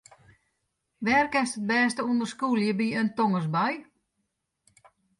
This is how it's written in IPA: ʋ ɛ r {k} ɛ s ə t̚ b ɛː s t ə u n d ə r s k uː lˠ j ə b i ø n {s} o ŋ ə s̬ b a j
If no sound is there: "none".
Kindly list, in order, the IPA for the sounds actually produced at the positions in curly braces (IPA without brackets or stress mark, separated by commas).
k, t